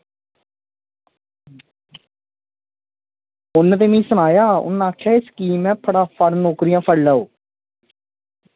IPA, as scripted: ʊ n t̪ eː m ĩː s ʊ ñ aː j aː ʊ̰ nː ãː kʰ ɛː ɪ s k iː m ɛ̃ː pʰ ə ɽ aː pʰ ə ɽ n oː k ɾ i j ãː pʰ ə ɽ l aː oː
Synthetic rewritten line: ʊ n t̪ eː m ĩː s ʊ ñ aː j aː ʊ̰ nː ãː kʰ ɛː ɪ s k iː m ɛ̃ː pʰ ə ɽ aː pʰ ə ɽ n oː k ɾ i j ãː pʰ ə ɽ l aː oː